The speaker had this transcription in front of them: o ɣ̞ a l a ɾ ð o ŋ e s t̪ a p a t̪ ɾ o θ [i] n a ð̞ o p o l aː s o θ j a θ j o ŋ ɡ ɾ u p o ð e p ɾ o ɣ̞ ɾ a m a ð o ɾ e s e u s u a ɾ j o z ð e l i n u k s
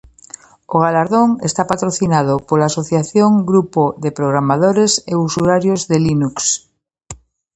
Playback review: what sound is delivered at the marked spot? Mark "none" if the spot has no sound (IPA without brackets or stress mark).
i